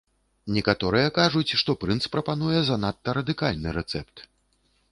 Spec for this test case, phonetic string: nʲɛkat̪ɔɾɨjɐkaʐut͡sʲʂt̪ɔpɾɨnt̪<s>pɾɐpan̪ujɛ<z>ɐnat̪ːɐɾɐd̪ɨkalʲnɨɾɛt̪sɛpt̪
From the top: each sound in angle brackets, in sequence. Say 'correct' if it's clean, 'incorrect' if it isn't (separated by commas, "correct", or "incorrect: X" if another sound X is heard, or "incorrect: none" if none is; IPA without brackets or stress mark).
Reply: correct, correct